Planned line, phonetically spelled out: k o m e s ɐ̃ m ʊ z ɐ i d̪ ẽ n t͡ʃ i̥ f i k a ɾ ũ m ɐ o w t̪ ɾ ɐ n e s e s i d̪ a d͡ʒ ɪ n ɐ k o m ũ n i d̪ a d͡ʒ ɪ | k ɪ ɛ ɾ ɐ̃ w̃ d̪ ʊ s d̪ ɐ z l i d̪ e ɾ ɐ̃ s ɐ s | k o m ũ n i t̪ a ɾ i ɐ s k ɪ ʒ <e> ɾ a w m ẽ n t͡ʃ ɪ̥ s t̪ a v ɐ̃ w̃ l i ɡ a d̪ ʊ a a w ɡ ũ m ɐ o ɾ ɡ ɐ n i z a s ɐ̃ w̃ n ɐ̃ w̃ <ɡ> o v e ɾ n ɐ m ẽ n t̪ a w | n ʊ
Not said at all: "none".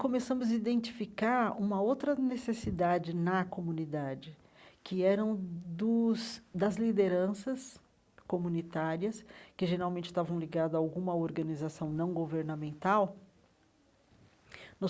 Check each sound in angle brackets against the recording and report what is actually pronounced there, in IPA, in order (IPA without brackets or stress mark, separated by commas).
e, ɡ